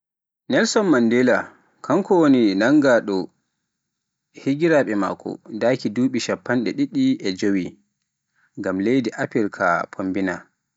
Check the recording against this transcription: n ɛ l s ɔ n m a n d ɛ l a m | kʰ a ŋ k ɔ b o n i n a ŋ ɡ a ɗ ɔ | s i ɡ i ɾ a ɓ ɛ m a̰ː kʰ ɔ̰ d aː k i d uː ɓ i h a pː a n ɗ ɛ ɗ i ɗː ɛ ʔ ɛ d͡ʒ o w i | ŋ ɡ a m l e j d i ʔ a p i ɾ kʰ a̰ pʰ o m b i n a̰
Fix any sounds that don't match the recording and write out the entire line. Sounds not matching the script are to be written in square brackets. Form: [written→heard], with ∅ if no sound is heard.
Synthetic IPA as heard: n ɛ l s ɔ n m a n d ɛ l a [m→∅] | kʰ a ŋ k ɔ [b→w] o n i n a ŋ ɡ a ɗ ɔ | [s→h] i ɡ i ɾ a ɓ ɛ m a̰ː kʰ ɔ̰ d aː k i d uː ɓ i [h→ʃ] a pː a n ɗ ɛ ɗ i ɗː [ɛ→i] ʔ ɛ d͡ʒ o w i | ŋ ɡ a m l e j d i ʔ a p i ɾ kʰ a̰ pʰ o m b i n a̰